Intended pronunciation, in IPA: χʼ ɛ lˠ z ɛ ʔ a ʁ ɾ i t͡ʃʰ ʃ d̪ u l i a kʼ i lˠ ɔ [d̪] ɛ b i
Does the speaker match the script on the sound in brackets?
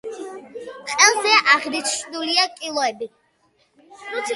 no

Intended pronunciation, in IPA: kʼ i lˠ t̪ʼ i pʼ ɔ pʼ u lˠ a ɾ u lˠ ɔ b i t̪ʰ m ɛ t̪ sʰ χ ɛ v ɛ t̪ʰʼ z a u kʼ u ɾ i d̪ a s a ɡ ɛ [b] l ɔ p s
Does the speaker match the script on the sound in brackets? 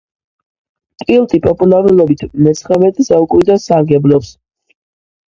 yes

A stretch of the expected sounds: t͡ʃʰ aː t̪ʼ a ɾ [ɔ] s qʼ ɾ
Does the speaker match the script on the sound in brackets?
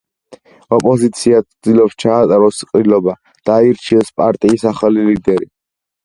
yes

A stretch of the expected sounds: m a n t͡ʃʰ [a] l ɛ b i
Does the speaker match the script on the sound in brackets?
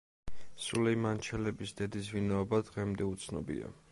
no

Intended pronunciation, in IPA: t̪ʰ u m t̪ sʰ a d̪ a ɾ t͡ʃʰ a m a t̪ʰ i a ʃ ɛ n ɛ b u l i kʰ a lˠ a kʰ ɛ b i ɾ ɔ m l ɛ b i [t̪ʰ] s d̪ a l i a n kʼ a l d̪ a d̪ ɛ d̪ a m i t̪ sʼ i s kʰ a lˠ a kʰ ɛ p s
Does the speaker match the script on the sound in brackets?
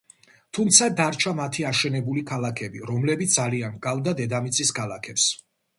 no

